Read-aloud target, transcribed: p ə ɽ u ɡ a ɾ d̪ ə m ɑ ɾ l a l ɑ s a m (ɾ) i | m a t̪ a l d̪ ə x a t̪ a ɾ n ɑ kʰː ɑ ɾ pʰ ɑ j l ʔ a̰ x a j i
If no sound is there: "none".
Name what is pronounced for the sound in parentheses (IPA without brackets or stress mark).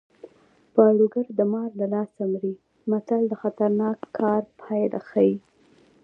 ɾ